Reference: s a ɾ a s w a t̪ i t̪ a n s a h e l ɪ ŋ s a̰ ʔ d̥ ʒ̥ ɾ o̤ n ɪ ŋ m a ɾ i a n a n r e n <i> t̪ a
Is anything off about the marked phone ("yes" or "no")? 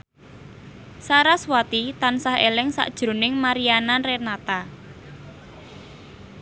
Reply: yes